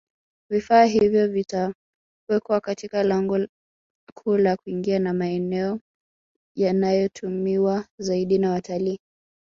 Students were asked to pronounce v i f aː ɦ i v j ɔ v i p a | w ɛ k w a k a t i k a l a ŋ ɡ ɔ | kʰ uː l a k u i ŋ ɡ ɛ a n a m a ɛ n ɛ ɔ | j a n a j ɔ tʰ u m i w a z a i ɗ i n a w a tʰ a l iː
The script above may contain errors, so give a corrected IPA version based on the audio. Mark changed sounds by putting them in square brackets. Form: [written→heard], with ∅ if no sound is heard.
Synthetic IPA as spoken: v i f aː ɦ i v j ɔ v i [p→t] a | w ɛ k w a k a t i k a l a ŋ ɡ ɔ | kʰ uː l a k u i ŋ ɡ [ɛ→i] a n a m a ɛ n ɛ ɔ | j a n a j ɔ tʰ u m i w a z a i ɗ i n a w a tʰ a l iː